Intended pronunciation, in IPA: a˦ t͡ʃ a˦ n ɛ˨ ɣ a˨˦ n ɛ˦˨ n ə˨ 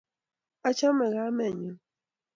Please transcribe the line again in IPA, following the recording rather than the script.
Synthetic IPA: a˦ t͡ʃ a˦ m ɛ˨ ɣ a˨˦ m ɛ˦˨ ɲ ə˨